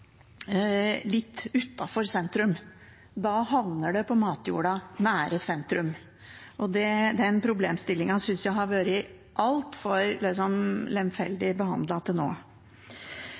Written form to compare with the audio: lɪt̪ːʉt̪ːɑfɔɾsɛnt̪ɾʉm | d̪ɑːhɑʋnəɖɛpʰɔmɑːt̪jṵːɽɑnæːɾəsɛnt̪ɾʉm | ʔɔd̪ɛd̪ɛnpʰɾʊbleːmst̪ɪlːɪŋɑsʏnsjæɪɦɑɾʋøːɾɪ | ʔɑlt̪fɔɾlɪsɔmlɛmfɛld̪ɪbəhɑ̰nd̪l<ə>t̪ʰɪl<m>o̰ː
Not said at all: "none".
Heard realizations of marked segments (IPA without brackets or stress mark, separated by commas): ɑ, n